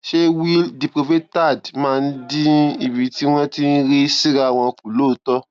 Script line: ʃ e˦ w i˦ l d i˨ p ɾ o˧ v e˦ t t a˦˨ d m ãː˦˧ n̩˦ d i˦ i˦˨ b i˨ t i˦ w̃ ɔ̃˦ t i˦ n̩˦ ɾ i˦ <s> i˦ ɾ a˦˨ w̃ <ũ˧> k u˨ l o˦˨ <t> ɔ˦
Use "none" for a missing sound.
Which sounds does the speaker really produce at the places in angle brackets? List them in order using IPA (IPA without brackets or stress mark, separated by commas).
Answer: s, ɔ̃˧, t